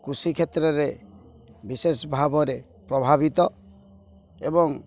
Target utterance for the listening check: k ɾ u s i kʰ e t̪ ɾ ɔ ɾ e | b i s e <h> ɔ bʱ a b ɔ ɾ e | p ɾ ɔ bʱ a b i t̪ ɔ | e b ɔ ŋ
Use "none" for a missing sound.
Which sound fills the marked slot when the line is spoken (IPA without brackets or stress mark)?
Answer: s